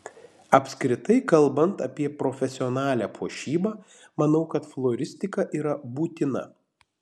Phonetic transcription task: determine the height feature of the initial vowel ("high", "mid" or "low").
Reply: low